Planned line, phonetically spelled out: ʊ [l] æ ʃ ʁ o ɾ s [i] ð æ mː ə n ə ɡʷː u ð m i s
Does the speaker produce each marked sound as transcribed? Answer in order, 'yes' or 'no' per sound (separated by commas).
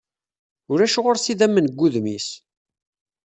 no, yes